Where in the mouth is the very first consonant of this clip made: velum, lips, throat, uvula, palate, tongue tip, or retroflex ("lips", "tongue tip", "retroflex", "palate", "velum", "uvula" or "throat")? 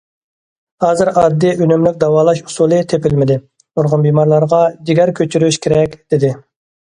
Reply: throat